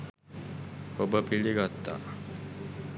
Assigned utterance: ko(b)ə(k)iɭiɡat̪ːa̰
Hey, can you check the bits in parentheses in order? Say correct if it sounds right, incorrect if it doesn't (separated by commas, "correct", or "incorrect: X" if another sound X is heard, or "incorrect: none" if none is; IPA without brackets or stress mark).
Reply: correct, incorrect: p